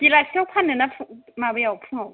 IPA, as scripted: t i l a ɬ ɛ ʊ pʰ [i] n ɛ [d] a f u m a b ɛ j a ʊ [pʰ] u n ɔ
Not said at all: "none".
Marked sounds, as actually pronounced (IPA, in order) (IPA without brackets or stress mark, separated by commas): a, n, pʰ